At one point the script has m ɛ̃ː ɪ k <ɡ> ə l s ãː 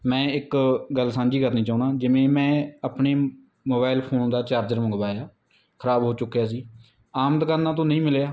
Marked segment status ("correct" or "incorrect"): correct